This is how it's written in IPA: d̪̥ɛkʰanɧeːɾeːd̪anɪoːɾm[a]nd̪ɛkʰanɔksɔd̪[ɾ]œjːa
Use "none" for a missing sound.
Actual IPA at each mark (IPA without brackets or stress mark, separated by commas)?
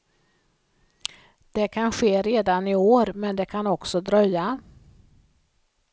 ɛ, ɾ